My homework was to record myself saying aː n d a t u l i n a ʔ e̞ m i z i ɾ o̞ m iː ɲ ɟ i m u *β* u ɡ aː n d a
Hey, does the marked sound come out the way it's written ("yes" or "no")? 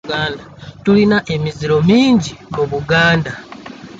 yes